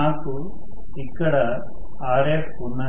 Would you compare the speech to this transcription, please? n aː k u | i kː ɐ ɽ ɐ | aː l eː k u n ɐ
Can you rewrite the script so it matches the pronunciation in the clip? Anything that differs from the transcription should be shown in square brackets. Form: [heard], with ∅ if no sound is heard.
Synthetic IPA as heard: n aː k u | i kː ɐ ɽ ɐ | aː [ɾ] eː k u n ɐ